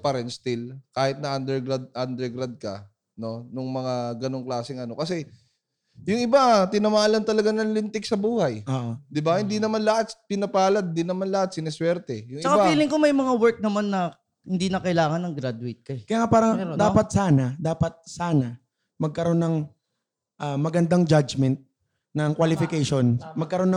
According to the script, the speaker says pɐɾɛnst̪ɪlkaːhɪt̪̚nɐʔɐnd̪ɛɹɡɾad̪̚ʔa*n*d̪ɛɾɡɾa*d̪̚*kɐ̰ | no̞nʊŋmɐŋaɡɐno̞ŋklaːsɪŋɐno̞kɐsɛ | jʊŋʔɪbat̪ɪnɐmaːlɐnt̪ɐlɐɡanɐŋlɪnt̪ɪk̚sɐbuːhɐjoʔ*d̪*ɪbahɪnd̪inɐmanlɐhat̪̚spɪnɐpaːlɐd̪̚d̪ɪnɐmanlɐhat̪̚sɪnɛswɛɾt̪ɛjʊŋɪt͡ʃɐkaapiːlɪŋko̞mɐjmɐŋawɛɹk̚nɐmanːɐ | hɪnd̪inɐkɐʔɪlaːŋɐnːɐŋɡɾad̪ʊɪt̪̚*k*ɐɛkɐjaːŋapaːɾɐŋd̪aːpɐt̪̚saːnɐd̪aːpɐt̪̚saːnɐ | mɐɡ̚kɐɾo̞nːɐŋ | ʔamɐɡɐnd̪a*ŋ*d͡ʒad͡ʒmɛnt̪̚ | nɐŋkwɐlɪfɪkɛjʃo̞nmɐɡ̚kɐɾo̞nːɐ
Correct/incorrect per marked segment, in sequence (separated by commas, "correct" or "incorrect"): correct, correct, correct, correct, correct